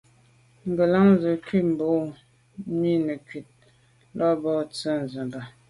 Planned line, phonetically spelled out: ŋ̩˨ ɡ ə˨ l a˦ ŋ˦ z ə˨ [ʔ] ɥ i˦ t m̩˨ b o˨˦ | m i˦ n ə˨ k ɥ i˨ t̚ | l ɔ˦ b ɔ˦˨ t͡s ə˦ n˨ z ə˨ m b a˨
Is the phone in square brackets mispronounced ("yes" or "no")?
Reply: yes